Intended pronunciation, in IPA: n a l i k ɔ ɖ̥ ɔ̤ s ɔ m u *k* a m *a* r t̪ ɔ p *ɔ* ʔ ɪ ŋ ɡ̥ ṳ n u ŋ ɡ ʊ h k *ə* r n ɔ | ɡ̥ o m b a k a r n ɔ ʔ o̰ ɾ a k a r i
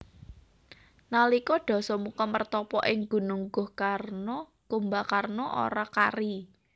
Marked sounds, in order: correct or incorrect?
correct, incorrect, correct, incorrect

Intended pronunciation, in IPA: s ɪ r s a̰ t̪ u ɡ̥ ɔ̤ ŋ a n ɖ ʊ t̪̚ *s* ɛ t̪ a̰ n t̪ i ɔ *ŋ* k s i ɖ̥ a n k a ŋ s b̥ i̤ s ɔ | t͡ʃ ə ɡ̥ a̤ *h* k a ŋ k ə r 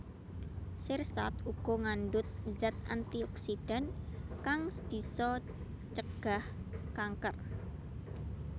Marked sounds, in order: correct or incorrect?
incorrect, incorrect, correct

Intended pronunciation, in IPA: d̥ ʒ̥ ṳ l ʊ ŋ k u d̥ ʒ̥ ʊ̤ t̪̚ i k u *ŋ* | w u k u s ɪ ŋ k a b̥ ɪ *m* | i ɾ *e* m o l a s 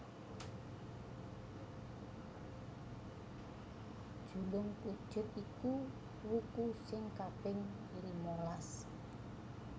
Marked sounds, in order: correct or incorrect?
incorrect, incorrect, incorrect

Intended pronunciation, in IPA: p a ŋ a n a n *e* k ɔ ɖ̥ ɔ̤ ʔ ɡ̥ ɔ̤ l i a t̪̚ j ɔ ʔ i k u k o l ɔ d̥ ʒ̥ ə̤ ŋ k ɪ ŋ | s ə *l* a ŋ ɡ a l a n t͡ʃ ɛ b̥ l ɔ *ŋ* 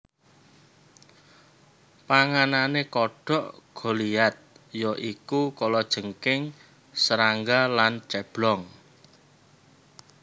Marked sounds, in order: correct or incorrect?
correct, incorrect, correct

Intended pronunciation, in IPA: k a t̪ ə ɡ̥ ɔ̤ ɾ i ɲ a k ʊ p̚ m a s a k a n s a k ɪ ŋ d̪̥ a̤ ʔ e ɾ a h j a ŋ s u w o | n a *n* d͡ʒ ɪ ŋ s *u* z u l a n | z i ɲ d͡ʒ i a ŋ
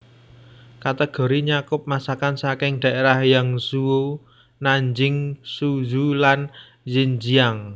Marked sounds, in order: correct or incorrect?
incorrect, correct

